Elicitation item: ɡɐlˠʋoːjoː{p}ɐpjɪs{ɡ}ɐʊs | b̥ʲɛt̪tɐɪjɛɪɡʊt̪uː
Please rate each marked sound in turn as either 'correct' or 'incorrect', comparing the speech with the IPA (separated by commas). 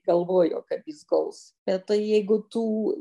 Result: incorrect, correct